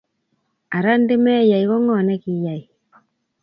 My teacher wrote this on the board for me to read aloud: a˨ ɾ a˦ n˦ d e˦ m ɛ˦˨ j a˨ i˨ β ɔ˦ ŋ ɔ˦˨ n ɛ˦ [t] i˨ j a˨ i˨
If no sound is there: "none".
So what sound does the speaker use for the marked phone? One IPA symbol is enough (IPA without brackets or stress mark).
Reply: k